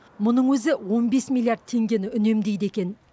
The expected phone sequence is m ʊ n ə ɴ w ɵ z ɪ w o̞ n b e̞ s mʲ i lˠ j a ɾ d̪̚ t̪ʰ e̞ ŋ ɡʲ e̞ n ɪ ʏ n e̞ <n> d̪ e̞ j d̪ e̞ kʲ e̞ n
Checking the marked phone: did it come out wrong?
yes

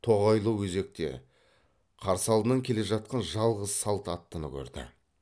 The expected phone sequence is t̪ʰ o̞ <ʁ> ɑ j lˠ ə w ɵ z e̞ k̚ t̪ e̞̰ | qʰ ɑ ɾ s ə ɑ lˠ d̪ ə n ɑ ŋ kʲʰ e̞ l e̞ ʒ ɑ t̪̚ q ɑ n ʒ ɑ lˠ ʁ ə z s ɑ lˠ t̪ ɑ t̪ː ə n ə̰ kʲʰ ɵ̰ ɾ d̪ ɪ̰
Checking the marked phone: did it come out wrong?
no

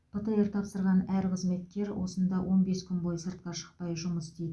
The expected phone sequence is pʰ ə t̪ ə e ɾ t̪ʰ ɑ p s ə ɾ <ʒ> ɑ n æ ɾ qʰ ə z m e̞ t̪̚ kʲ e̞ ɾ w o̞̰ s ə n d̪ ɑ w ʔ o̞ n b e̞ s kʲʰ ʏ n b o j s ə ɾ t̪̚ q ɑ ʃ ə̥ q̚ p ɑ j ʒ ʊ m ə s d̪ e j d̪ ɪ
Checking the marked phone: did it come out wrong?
yes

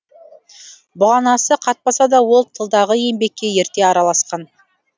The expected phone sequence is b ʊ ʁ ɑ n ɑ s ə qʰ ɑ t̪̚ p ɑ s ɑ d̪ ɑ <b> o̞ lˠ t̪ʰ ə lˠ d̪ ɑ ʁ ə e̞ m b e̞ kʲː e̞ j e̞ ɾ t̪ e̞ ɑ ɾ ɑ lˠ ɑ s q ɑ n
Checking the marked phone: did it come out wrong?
yes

